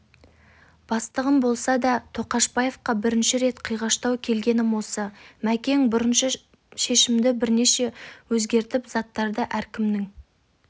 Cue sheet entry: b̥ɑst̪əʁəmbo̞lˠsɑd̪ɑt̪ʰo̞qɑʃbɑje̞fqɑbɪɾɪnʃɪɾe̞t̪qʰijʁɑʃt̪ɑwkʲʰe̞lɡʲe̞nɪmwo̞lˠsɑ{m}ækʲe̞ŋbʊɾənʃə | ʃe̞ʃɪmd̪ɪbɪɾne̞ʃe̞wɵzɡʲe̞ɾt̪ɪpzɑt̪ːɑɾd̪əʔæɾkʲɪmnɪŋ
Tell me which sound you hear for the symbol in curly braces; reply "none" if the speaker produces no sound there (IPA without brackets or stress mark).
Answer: m